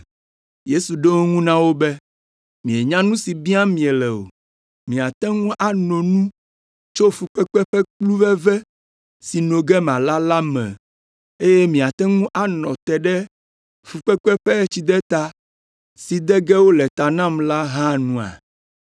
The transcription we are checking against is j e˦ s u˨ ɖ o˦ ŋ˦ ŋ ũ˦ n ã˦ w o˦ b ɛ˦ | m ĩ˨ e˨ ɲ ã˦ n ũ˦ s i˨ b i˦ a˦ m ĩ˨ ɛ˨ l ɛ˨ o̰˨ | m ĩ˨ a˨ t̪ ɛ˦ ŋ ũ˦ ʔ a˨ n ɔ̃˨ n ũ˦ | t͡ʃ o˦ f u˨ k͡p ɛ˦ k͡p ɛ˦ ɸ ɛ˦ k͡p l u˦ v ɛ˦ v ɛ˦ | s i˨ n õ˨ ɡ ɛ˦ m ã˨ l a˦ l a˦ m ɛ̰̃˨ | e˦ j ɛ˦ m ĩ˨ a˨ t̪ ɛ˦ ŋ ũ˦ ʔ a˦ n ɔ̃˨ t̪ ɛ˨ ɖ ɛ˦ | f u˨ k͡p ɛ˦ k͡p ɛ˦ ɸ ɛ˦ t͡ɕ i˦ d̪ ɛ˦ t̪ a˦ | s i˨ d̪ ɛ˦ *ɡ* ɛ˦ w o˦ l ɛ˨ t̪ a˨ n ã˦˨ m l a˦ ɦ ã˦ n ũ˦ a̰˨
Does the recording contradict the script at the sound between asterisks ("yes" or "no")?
no